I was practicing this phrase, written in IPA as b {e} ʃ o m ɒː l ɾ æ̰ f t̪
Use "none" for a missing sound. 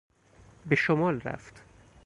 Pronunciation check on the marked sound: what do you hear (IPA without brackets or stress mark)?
e